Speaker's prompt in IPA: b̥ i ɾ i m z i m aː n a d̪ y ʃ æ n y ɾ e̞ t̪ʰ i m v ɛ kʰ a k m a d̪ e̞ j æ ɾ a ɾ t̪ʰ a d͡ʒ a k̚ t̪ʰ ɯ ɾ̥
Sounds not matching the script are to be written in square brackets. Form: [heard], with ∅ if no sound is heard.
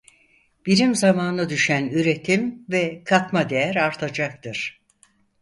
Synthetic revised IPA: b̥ i ɾ i m z [a] m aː n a d̪ y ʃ æ n y ɾ e̞ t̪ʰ i m v ɛ kʰ a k m a d̪ e̞ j æ ɾ a ɾ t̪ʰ a d͡ʒ a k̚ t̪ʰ ɯ ɾ̥

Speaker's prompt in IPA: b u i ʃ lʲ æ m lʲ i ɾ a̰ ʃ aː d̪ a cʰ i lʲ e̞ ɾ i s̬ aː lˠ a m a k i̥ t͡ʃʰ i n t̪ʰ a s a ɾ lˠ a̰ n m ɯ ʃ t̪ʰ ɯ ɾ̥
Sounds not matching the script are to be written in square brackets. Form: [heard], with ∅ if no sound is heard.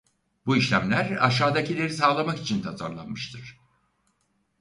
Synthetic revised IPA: b u i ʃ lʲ æ m lʲ [æ] ɾ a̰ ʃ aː d̪ a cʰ i lʲ e̞ ɾ i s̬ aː lˠ a m a k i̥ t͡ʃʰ i n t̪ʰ a [z] a ɾ lˠ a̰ n m ɯ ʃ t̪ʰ ɯ ɾ̥

